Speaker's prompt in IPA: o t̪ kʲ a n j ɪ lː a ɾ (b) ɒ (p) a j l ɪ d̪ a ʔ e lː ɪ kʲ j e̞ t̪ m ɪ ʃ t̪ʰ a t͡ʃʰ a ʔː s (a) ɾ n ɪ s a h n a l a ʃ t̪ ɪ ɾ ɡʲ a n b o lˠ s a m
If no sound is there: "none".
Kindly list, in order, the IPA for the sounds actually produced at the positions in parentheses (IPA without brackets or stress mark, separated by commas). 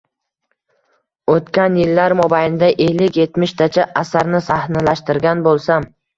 m, b, a